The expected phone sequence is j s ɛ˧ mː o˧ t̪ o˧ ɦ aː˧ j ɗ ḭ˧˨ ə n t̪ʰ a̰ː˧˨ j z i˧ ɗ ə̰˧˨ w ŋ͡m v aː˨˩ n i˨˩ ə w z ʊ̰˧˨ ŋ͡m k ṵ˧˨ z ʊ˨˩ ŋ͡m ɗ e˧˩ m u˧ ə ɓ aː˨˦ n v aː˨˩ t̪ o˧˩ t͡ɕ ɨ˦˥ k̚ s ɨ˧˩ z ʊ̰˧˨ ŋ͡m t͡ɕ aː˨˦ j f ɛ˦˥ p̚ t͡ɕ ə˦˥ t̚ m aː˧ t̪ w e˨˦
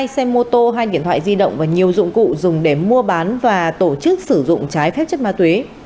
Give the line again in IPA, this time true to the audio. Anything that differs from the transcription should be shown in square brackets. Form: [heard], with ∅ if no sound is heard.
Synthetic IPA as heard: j s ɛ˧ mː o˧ t̪ o˧ ɦ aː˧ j ɗ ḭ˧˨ ə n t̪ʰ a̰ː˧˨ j z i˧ ɗ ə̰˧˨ w ŋ͡m v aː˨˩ [ɲ] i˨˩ ə w z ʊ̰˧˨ ŋ͡m k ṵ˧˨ z ʊ˨˩ ŋ͡m ɗ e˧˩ m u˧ ə ɓ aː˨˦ n v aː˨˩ t̪ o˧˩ t͡ɕ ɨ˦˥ k̚ s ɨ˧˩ z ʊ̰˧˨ ŋ͡m t͡ɕ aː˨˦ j f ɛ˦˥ p̚ t͡ɕ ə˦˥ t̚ m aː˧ t̪ w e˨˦